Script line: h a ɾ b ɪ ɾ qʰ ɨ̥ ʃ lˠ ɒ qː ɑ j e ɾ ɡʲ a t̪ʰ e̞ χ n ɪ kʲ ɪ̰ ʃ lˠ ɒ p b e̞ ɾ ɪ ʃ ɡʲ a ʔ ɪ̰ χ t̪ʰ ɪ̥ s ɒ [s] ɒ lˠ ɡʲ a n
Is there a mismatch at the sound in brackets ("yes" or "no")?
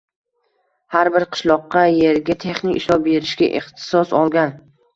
no